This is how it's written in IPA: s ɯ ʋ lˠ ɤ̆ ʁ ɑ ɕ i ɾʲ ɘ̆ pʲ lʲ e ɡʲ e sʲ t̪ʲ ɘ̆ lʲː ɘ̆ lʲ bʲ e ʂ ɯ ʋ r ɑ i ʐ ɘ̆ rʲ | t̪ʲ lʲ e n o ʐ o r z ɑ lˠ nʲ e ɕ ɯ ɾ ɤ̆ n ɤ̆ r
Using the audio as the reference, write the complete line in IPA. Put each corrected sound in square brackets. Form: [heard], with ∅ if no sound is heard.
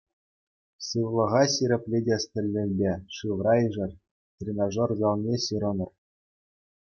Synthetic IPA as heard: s ɯ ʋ lˠ ɤ̆ ʁ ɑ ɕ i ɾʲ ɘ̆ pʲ lʲ e [dʲ] e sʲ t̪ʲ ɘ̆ lʲː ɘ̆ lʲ bʲ e ʂ ɯ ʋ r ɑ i ʐ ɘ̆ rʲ | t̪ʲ [rʲ] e n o ʐ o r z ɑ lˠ nʲ e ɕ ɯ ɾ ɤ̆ n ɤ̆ r